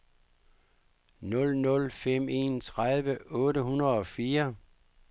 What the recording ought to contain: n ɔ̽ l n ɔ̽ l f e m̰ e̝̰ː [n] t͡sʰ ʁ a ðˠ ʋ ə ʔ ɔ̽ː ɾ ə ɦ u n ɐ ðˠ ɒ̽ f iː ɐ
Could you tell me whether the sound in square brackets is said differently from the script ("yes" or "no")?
no